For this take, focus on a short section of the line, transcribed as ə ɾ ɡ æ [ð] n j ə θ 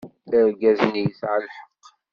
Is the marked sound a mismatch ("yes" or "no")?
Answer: yes